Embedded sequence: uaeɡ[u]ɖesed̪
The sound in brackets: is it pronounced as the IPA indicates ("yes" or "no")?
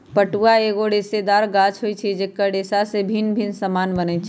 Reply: no